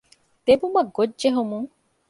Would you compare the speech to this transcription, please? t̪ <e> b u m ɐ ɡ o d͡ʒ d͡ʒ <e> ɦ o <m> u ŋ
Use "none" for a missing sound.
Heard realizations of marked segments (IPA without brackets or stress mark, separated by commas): e, e, m